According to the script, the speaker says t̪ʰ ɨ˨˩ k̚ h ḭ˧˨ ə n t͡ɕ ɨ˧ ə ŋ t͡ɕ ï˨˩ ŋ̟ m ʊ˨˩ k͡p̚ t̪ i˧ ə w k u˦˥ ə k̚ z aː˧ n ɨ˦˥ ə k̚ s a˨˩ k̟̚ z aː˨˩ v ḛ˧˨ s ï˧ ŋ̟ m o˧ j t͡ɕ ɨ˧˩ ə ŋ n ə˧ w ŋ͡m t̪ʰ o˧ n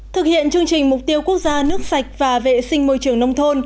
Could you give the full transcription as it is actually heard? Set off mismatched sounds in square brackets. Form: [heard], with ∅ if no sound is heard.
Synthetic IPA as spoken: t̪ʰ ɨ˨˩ k̚ h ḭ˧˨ ə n t͡ɕ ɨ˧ ə ŋ t͡ɕ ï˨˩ ŋ̟ m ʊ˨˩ k͡p̚ t̪ i˧ ə w k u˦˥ ə k̚ z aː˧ n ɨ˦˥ ə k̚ s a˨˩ k̟̚ [v] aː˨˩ v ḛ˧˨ s ï˧ ŋ̟ m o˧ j t͡ɕ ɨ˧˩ ə ŋ n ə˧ w ŋ͡m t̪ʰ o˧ n